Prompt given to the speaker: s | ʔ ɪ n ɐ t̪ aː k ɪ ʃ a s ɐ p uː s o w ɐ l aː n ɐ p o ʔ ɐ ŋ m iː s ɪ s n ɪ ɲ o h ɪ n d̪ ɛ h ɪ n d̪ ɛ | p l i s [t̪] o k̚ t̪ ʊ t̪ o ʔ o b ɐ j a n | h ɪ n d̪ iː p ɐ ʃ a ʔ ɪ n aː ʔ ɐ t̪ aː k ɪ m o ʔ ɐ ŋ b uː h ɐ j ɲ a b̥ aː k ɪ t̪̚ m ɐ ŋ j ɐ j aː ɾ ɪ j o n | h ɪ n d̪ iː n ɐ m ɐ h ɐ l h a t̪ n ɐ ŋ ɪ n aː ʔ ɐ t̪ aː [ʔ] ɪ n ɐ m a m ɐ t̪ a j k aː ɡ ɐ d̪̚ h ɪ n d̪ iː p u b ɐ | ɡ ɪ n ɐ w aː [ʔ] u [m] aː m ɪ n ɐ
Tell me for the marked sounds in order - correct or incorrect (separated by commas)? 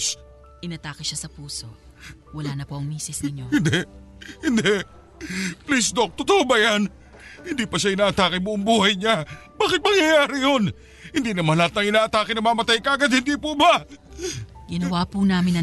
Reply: incorrect, incorrect, incorrect, incorrect